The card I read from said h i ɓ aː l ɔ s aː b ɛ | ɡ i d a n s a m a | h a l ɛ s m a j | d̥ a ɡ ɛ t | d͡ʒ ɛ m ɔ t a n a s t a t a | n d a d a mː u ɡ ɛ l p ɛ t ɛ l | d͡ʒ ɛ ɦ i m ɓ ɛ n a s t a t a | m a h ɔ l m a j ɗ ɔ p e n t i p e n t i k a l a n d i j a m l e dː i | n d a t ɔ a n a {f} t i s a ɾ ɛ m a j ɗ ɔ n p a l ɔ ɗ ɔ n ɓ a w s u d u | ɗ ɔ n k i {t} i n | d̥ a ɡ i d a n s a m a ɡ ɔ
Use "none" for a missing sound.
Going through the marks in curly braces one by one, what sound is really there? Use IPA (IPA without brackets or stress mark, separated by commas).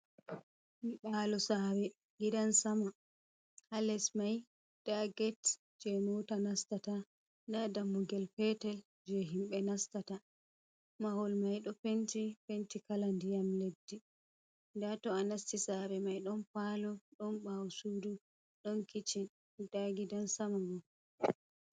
s, t͡ʃ